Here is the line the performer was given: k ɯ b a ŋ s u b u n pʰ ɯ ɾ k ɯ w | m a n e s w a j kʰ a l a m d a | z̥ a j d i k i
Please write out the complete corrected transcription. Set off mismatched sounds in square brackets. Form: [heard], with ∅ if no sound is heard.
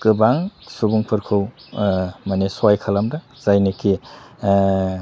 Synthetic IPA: k ɯ b a ŋ s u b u [ŋ] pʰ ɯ ɾ [kʰ] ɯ w | m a n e s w a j kʰ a l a m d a | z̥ a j [n] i k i